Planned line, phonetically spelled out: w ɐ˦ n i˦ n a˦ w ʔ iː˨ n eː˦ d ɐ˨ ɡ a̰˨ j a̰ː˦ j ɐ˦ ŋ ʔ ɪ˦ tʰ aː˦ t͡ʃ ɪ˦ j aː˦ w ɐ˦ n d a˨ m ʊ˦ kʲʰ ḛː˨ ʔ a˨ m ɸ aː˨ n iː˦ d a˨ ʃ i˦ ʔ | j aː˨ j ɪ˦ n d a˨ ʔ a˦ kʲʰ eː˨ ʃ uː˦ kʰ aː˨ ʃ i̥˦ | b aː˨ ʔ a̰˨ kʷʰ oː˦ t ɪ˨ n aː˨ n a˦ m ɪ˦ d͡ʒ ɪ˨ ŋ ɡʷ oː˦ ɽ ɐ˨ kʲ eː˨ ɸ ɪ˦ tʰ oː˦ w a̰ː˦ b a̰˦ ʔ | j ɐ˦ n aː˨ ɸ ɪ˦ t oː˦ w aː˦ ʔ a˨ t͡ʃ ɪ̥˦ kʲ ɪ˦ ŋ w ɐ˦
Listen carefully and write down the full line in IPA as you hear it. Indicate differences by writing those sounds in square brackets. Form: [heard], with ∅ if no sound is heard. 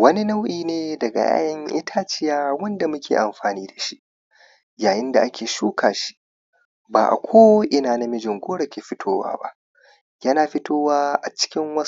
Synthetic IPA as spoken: w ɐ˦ n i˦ n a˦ w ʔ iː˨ n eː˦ d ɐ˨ ɡ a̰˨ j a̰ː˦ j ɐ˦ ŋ ʔ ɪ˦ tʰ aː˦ t͡ʃ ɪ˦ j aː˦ w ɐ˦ n d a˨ m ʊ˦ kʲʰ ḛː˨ ʔ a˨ m ɸ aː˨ n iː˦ d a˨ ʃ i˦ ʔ | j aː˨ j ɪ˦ n d a˨ ʔ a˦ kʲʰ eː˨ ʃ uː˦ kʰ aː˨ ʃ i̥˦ | b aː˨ ʔ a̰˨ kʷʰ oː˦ [ʔ] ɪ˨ n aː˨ n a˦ m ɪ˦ d͡ʒ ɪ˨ ŋ ɡʷ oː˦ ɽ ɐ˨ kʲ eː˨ ɸ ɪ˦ tʰ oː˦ w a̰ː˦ b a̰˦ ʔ | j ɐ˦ n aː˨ ɸ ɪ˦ t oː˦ w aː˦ ʔ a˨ t͡ʃ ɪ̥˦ kʲ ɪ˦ ŋ w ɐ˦